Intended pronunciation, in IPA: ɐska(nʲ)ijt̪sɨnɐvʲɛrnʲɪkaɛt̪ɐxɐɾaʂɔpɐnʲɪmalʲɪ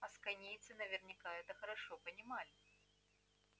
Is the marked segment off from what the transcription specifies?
no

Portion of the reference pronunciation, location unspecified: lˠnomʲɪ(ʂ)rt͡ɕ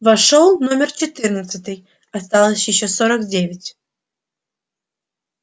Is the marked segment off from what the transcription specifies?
yes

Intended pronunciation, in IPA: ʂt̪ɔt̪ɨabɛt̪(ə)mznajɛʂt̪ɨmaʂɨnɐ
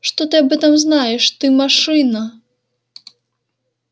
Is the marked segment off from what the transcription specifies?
yes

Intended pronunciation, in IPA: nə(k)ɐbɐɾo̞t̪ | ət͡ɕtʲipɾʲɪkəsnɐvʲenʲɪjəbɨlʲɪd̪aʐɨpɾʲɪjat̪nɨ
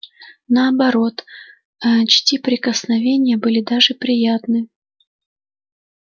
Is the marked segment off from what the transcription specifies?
yes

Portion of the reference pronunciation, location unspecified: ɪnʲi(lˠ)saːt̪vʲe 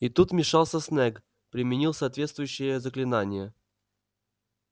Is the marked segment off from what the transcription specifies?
no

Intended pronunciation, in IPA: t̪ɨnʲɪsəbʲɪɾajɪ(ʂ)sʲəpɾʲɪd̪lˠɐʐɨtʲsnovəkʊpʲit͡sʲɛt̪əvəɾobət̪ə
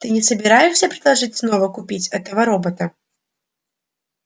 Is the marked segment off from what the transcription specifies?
no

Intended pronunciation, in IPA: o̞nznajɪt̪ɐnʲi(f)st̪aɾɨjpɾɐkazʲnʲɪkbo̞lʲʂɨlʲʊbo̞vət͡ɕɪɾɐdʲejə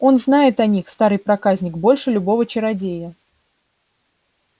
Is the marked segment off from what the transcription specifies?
yes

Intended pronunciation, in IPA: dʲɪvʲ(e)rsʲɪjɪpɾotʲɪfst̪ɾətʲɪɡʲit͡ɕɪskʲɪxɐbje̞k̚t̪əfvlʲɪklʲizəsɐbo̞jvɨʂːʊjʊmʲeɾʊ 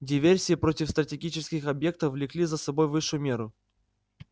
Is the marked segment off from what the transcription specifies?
no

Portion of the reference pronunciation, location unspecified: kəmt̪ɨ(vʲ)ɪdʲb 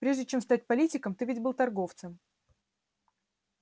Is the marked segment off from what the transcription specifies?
no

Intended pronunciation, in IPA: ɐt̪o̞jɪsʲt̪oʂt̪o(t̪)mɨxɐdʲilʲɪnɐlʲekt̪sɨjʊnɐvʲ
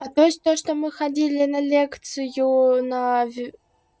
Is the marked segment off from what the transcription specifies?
yes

